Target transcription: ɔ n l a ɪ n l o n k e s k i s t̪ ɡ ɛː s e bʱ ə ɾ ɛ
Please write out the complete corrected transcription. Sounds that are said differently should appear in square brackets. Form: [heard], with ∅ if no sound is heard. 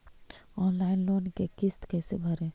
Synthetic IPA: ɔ n l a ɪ n l o n k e [∅] k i s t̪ [k] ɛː s e bʱ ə ɾ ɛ